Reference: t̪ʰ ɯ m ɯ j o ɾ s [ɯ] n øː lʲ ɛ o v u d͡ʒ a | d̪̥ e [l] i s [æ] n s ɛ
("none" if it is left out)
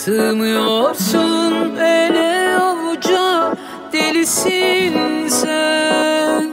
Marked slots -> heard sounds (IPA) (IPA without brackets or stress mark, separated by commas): u, l, i